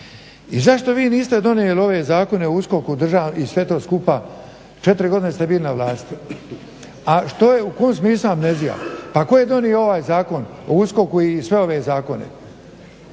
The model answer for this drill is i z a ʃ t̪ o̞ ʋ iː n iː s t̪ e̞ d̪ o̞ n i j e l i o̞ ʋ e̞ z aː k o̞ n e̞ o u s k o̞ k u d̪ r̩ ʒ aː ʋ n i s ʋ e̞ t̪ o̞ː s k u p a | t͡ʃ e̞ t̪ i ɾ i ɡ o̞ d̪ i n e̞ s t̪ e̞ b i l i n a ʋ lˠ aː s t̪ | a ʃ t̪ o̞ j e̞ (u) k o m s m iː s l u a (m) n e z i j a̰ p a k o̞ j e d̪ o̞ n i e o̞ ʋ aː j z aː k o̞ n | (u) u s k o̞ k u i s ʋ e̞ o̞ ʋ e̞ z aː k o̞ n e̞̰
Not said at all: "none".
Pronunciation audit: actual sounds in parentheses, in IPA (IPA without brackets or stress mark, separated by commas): u, m, o